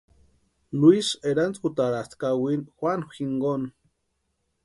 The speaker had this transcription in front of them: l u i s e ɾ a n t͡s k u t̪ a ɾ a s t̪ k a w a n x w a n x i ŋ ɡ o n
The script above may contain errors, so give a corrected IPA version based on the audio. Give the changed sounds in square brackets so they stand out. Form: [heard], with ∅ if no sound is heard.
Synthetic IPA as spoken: l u i s e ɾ a n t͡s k u t̪ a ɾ a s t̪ k a w [i] n x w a n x i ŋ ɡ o n